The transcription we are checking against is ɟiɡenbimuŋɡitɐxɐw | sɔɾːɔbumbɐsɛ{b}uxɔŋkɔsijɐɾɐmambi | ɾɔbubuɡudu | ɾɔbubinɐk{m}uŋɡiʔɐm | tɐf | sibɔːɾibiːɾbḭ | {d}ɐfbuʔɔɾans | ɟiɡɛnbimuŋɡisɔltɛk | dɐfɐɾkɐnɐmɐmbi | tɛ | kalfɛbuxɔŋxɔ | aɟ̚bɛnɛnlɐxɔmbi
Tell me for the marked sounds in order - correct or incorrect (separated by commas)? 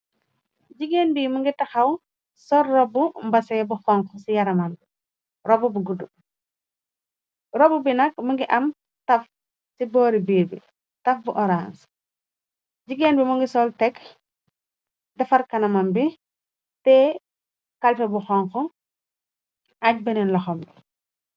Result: correct, correct, incorrect